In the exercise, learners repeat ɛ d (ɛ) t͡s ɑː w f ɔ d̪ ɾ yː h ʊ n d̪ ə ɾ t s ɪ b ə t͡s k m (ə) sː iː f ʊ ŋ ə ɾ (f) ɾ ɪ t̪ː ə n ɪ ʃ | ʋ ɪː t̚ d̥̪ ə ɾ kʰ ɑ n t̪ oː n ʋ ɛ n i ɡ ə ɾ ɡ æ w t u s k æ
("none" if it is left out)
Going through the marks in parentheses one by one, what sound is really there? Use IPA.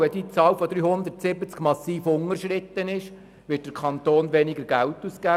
i, ɑ, ʃ

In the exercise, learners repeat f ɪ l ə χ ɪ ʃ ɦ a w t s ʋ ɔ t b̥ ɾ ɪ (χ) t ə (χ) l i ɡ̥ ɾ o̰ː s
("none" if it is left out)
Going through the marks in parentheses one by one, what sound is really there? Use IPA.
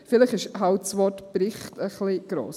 χ, χ

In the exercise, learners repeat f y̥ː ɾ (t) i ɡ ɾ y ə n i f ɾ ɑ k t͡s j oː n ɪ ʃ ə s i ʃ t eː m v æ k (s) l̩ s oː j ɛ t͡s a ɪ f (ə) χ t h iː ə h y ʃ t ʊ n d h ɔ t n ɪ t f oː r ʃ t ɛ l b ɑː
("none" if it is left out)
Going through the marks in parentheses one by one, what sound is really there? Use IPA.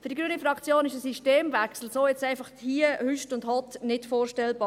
d, s, ɑ

